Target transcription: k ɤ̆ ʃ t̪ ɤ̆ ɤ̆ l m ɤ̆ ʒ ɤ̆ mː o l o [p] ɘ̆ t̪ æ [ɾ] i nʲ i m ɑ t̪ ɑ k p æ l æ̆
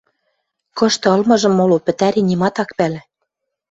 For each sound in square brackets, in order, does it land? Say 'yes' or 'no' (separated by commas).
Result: yes, yes